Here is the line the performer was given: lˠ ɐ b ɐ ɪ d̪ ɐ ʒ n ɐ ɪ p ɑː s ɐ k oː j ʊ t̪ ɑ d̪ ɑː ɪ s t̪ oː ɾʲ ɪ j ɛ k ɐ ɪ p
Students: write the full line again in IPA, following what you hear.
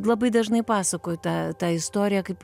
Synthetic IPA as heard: lˠ ɐ b ɐ ɪ d̪ ɐ ʒ n ɐ ɪ p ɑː s ɐ k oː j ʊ t̪ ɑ t̪ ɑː ɪ s t̪ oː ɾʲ ɪ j ɛ k ɐ ɪ p